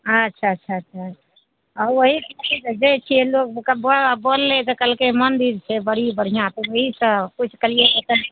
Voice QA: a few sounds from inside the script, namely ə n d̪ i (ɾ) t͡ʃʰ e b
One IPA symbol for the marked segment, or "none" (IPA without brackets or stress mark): ɾ